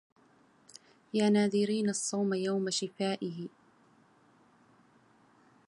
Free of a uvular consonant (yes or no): yes